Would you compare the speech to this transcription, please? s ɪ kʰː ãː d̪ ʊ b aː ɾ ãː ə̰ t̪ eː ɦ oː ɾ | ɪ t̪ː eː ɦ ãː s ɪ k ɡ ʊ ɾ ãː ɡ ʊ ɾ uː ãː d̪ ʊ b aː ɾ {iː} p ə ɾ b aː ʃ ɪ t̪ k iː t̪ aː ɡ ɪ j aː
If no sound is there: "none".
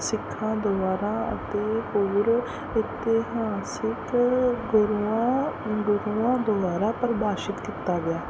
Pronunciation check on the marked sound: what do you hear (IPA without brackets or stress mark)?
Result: aː